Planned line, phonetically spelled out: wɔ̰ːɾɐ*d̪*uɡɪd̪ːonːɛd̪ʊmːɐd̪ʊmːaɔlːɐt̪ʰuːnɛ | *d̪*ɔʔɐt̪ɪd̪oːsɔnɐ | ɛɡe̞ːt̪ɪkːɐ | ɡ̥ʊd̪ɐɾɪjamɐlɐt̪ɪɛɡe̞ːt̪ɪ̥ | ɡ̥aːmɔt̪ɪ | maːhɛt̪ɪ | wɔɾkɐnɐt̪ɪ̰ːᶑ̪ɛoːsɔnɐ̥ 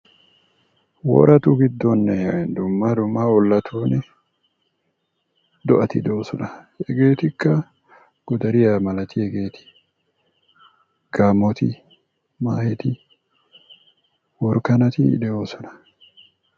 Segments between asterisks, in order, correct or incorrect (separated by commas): incorrect, correct